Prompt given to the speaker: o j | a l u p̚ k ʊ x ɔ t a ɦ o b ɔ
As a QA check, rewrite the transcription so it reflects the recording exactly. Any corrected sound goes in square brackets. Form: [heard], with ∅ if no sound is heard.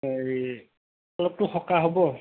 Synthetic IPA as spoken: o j | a l [ɔ] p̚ [t] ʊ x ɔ [k] a ɦ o b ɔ